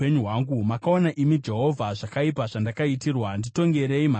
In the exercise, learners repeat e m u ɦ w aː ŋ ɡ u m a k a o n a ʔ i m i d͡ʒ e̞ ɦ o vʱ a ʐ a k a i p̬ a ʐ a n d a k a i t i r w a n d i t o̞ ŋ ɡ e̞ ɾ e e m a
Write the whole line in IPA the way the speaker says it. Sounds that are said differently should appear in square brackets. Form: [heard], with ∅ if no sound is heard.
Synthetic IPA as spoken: e [ɲ] u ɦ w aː ŋ ɡ u m a k a o n a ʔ i m i d͡ʒ e̞ ɦ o vʱ a ʐ a k a i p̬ a ʐ a n d a k a i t i r w a n d i t o̞ ŋ ɡ e̞ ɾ e [i] m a